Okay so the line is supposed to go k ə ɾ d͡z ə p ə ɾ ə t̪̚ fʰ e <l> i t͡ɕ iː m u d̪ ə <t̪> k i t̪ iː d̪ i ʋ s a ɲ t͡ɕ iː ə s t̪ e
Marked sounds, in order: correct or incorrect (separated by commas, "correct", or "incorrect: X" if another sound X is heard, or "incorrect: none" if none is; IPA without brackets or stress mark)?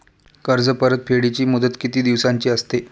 incorrect: ɽ, correct